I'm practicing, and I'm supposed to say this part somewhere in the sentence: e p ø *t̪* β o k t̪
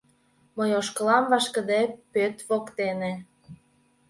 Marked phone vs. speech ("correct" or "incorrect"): correct